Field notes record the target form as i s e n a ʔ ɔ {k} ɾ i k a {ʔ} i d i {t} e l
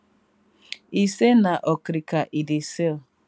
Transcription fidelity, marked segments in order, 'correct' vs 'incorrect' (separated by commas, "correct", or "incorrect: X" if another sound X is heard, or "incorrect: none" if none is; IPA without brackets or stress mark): correct, correct, incorrect: s